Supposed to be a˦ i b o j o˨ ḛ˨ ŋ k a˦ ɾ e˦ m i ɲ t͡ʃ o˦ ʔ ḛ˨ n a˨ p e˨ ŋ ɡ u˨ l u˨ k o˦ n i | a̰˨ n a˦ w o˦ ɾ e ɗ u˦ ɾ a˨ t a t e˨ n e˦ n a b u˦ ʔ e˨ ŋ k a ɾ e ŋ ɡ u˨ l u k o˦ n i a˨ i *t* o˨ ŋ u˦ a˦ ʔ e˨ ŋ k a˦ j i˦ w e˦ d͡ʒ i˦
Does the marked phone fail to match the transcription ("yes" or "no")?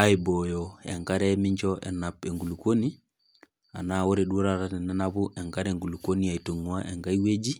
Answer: no